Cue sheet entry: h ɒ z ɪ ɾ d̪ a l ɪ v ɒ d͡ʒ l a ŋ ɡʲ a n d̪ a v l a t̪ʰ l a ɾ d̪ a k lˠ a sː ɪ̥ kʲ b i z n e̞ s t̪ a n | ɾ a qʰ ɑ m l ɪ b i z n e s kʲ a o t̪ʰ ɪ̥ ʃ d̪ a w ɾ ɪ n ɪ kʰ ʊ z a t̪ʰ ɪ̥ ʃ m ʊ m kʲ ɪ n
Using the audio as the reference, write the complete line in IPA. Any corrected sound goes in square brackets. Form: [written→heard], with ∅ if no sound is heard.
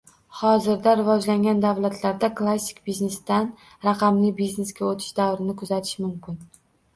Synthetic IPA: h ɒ z ɪ ɾ d̪ a [l→ɾ] ɪ v ɒ d͡ʒ l a ŋ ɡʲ a n d̪ a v l a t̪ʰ l a ɾ d̪ a k lˠ a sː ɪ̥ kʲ b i z n e̞ s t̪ a n | ɾ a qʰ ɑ m l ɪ b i z n e s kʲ a o t̪ʰ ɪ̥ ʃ d̪ a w ɾ ɪ n ɪ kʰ ʊ z a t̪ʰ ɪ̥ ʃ m ʊ m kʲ ɪ n